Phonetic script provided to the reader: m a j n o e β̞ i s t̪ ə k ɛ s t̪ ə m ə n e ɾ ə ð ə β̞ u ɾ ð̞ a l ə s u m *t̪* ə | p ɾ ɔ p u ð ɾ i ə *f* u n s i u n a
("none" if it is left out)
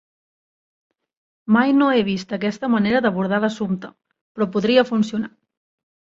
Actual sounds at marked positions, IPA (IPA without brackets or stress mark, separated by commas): t̪, f